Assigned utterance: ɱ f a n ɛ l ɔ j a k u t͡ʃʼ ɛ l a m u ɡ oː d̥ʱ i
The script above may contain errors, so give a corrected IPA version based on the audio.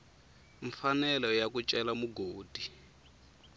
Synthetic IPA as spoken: ɱ f a n ɛ l ɔ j a k u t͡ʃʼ ɛ l a m u ɡ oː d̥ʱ i

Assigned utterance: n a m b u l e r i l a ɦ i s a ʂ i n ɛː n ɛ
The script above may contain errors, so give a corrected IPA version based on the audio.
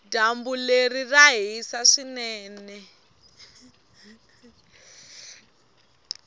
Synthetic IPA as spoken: d a m b u l e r i r a ɦ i s a ʂ i n ɛː n ɛ

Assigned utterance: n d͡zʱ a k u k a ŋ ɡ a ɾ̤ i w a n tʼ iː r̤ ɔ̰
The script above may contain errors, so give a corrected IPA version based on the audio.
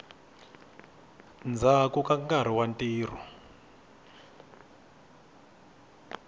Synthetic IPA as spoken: n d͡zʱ a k u k a ŋ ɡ a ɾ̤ i w a n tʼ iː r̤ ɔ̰

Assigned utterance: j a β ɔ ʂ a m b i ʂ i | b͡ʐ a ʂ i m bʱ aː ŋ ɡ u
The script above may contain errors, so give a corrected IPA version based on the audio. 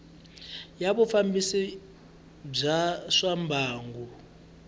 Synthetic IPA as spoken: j a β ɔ f a m b i s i | b͡ʐ a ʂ a m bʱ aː ŋ ɡ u

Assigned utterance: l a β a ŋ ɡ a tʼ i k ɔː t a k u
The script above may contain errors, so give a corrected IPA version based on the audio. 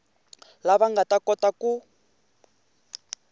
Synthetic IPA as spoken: l a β a ŋ ɡ a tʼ a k ɔ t a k u

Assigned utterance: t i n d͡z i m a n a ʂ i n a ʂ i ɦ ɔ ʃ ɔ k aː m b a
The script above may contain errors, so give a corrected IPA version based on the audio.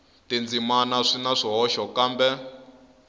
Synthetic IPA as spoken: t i n d͡z i m a n a ʂ i n a ʂ i ɦ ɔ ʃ ɔ k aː m b ɛ

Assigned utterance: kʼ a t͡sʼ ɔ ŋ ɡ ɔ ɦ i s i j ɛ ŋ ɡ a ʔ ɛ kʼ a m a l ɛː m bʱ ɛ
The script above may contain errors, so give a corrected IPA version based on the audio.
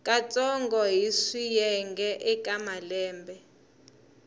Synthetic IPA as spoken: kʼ a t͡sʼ ɔ ŋ ɡ ɔ ɦ i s i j ɛ ŋ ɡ ɛ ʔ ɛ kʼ a m a l ɛː m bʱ ɛ

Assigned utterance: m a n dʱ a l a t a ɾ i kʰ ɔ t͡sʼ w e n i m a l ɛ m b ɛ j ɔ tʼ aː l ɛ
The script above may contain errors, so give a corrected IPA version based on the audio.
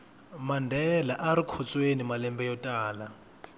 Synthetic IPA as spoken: m a n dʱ ɛ l a ʔ a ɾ i kʰ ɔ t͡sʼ w e n i m a l ɛ m b ɛ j ɔ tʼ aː l a

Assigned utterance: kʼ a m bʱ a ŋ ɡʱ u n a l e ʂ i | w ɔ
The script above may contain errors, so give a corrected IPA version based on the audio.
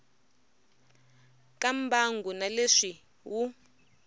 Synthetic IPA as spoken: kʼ a m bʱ a ŋ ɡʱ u n a l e ʂ i | w u

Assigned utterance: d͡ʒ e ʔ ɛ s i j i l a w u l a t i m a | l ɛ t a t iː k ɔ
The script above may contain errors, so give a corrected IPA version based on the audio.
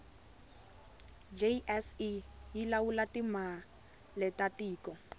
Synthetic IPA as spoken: d͡ʒ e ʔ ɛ s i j i l a w u l a t i m a | l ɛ t a t iː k ɔ

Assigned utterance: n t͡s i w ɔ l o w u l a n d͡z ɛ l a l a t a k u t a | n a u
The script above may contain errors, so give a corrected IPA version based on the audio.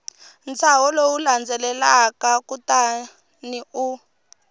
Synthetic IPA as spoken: n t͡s a w ɔ l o w u l a n d͡z ɛ l ɛ l a k a k u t a | n i u

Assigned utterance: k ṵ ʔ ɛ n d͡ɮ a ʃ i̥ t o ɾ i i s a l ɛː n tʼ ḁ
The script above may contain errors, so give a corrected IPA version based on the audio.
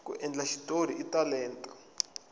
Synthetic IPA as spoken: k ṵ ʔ ɛ n d͡ɮ a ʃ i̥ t o ɾ i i t a l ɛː n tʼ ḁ

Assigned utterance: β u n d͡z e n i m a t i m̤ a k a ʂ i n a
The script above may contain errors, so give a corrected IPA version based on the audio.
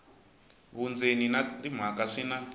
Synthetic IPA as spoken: β u n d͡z e n i n a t i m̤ a k a ʂ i n a

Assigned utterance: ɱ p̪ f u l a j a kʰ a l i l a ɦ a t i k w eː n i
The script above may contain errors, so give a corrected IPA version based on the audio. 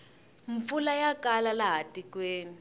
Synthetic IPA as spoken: ɱ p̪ f u l a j a k a l a l a ɦ a t i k w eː n i

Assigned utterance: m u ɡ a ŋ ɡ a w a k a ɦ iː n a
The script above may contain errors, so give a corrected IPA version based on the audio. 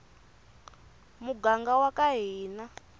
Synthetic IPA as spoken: m u ɡ a ŋ ɡ a w a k a ɦ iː n a

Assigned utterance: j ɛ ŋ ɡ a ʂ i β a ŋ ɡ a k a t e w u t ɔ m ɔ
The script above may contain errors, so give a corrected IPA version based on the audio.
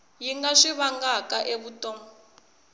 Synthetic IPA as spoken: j i ŋ ɡ a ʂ i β a ŋ ɡ a k a ʔ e β u t ɔ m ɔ

